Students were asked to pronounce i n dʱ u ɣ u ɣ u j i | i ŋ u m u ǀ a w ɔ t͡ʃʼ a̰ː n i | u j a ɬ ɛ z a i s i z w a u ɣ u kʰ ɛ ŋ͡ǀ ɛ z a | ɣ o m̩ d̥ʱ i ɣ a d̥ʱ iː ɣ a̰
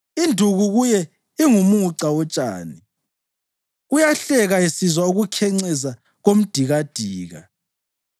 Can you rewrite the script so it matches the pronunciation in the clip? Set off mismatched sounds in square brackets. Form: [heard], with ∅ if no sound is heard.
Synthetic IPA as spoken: i n dʱ u ɣ u ɣ u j [ɛ] | i ŋ u m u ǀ a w ɔ t͡ʃʼ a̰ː n i | u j a ɬ ɛ [ɣ] a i s i z w a u ɣ u kʰ ɛ ŋ͡ǀ ɛ z a | ɣ o m̩ d̥ʱ i ɣ a d̥ʱ iː ɣ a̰

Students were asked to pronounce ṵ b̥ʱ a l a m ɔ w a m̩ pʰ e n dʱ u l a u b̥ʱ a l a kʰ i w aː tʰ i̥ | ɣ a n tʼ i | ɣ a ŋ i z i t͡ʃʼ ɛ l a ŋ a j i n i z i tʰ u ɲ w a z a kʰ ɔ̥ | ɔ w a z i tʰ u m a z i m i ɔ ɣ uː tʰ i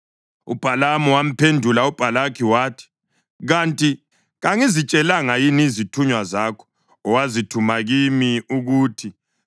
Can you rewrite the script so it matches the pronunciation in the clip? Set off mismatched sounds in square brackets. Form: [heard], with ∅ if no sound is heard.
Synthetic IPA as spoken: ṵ b̥ʱ a l a m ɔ w a m̩ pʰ e n dʱ u l a u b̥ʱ a l a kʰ i w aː tʰ i̥ | ɣ a n tʼ i | ɣ a ŋ i z i t͡ʃʼ ɛ l a ŋ a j i n i z i tʰ u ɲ w a z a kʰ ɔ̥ | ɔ w a z i tʰ u m a [ɣ] i m i [u] ɣ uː tʰ i

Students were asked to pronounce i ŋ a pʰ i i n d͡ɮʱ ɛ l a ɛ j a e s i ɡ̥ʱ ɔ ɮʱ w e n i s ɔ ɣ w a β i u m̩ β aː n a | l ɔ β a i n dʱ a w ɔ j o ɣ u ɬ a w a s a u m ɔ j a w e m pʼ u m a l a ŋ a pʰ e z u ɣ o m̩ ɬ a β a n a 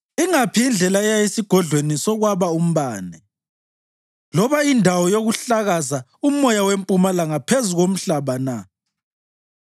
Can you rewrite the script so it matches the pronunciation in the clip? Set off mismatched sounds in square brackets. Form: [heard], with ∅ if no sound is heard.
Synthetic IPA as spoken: i ŋ a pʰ i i n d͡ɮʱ ɛ l a ɛ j a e s i ɡ̥ʱ ɔ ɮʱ w e n i s ɔ ɣ w a β [a] u m̩ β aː n [ɛ] | l ɔ β a i n dʱ a w ɔ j o ɣ u ɬ a [ɣ] a [z] a u m ɔ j a w e m pʼ u m a l a ŋ a pʰ e z u ɣ o m̩ ɬ a β a n a

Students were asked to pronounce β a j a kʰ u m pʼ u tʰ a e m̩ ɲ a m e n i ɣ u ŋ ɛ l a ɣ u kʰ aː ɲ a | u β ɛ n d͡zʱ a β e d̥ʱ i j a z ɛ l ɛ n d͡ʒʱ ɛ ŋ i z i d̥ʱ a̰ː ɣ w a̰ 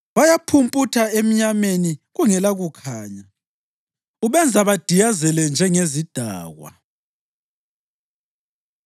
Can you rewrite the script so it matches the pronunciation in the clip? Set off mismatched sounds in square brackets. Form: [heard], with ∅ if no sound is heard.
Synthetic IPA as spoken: β a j a [pʰ] u m pʼ u tʰ a e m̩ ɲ a m e n i ɣ u ŋ ɛ l a ɣ u kʰ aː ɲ a | u β ɛ n d͡zʱ a β [a] d̥ʱ i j a z ɛ l ɛ n d͡ʒʱ ɛ ŋ [e] z i d̥ʱ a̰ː ɣ w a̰

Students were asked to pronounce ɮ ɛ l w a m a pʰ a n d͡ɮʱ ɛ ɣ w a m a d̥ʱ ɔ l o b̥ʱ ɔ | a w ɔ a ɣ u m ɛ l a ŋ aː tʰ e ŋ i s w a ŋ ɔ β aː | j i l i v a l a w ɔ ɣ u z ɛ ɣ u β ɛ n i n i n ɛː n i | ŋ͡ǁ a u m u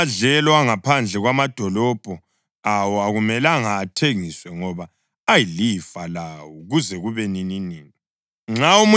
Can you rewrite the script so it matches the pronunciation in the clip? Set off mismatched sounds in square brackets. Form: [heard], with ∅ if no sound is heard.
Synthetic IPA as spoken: ɮ ɛ l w a [ŋ] a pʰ a n d͡ɮʱ ɛ ɣ w a m a d̥ʱ ɔ l [ɔ] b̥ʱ ɔ | a w ɔ a ɣ u m ɛ l a ŋ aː tʰ e ŋ i s w [ɛ] ŋ ɔ β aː | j i l i [f] a l a w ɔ ɣ u z ɛ ɣ u β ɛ n i n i n [iː] n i | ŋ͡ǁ a u m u

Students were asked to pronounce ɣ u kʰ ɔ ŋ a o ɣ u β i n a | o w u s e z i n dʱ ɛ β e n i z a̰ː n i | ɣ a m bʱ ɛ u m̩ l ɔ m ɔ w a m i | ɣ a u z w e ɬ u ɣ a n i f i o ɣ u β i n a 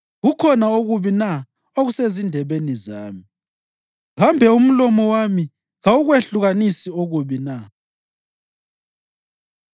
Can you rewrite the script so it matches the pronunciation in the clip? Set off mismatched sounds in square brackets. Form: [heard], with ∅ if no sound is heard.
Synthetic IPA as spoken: ɣ u kʰ ɔ [n] a o ɣ u β i n a | o [ɣ] u s e z i n dʱ ɛ β e n i z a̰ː [m] i | ɣ a m bʱ ɛ u m̩ l ɔ m ɔ w a m i | ɣ a u [ɣ] w e ɬ u ɣ a n i [s] i o ɣ u β i n a

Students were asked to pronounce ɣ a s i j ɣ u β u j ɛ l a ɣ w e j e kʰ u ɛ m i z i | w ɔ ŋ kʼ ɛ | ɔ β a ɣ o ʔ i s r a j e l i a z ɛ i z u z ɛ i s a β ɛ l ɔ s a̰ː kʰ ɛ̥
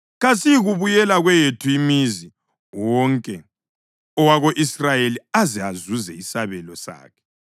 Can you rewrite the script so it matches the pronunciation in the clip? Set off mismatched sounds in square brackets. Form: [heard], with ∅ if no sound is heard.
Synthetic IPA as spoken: ɣ a s i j ɣ u β u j ɛ l a ɣ w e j e [tʰ] u [i] m i z i | w ɔ ŋ kʼ ɛ | ɔ [w] a ɣ o ʔ i s r a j e l i a z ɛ [a] z u z ɛ i s a β ɛ l ɔ s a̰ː kʰ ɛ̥

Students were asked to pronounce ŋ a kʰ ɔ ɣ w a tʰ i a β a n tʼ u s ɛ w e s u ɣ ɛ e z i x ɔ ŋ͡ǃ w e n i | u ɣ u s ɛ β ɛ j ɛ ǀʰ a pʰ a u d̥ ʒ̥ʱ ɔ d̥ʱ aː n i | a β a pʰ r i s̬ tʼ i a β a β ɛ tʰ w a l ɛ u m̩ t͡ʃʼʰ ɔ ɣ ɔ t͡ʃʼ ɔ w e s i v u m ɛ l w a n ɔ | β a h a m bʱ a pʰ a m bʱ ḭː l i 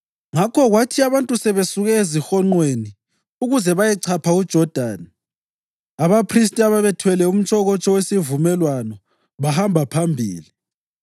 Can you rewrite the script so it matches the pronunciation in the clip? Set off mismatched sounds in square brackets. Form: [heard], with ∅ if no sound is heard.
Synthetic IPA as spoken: ŋ a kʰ ɔ ɣ w a tʰ i a β a n tʼ u s ɛ [β] e s u ɣ ɛ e z i x ɔ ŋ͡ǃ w e n i | u ɣ u [z] ɛ β [a] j ɛ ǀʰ a pʰ a u d̥ ʒ̥ʱ ɔ d̥ʱ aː n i | a β a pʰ r i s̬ tʼ i a β a β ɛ tʰ w [ɛ] l ɛ u m̩ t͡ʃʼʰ ɔ ɣ ɔ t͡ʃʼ ɔ w e s i v u m ɛ l w a n ɔ | β a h a m bʱ a pʰ a m bʱ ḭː l i

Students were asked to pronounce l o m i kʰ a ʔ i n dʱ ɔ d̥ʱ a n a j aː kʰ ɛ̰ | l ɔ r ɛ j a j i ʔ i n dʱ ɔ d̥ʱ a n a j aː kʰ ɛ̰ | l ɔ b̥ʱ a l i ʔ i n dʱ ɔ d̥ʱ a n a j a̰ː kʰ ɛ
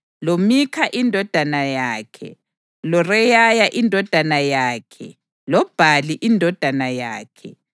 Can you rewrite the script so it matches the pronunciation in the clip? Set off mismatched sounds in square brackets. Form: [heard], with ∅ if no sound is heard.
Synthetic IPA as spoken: l o m i kʰ a ʔ i n dʱ ɔ d̥ʱ a n a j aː kʰ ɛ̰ | l ɔ r ɛ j a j [a] ʔ i n dʱ ɔ d̥ʱ a n a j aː kʰ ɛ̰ | l ɔ b̥ʱ a l i ʔ i n dʱ ɔ d̥ʱ a n a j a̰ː kʰ ɛ

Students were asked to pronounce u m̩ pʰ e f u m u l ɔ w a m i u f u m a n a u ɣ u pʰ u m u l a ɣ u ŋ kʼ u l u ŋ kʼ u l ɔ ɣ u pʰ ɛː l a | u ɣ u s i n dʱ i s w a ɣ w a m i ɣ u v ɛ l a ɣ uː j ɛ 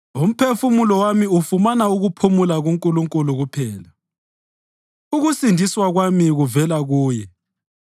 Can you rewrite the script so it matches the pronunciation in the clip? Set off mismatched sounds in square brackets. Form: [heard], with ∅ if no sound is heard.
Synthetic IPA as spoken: u m̩ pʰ e f u m u l ɔ w a m i u f u m a n a u ɣ u pʰ u m u l a ɣ u ŋ kʼ u l u ŋ kʼ u l [u] ɣ u pʰ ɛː l a | u ɣ u s i n dʱ i s w a ɣ w a m i ɣ u v ɛ l a ɣ uː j ɛ

